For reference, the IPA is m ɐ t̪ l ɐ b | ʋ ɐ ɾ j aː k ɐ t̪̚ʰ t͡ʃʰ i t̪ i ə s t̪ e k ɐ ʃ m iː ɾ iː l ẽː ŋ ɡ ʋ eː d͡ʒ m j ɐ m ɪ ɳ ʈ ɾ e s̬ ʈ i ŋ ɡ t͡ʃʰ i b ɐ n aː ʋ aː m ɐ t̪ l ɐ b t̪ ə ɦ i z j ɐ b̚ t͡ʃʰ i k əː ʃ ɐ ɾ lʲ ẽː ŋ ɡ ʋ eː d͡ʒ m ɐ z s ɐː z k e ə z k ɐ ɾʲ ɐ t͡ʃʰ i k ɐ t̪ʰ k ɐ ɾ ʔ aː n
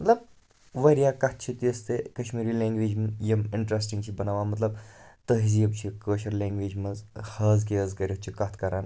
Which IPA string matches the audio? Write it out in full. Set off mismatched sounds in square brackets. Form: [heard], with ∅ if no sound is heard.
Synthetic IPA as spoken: m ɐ t̪ l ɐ b | ʋ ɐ ɾ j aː k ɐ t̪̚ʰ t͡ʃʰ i t̪ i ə s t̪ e k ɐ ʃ m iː ɾ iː l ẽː ŋ ɡ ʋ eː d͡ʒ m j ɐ m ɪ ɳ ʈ ɾ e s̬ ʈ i ŋ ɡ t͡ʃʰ i b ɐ n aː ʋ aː m ɐ t̪ l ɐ b t̪ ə ɦ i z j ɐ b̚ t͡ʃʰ i k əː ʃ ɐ ɾ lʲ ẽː ŋ ɡ ʋ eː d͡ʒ m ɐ z [h] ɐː z k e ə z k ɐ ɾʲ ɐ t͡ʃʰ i k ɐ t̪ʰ k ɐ ɾ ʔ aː n